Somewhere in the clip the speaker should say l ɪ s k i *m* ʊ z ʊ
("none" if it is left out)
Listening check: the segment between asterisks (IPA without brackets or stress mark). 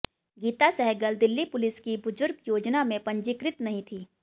b